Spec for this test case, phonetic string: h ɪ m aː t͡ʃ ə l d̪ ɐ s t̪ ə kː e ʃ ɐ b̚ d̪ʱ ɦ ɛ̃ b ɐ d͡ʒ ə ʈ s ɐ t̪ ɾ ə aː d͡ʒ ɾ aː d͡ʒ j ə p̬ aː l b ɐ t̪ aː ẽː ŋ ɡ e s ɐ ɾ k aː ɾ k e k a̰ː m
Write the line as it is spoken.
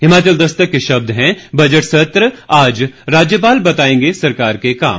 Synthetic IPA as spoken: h ɪ m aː t͡ʃ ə l d̪ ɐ s t̪ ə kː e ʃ ɐ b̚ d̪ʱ ɦ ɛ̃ b ɐ d͡ʒ ə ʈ s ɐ t̪ ɾ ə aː d͡ʒ ɾ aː d͡ʒ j ə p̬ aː l b ɐ t̪ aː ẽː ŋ ɡ e s ɐ ɾ k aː ɾ k e k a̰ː m

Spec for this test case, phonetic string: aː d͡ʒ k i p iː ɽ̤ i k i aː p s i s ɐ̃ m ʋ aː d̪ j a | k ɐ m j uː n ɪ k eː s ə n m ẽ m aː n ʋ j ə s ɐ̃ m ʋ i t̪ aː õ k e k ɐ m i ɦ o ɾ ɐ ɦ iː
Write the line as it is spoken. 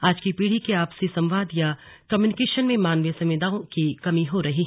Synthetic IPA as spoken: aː d͡ʒ k i p iː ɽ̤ i k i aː p s i s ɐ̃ m ʋ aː d̪ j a | k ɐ m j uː n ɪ k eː ʃ ə n m ẽ m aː n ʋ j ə s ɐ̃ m ʋ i d̪ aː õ k i k ɐ m i ɦ o ɾ ɐ ɦ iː

